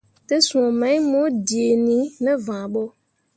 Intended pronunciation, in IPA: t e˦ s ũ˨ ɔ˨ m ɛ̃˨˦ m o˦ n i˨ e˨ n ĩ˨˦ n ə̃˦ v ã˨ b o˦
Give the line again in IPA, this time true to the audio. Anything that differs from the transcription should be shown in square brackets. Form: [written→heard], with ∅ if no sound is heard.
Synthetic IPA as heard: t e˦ s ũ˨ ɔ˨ m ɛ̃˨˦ m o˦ [n→d] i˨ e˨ n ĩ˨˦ n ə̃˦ v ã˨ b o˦